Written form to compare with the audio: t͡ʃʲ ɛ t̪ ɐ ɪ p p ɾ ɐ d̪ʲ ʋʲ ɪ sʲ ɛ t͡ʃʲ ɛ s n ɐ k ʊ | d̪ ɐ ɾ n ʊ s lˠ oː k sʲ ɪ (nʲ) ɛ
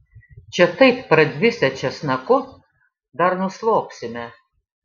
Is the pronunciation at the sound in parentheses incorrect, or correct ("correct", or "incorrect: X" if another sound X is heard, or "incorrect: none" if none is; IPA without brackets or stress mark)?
incorrect: mʲ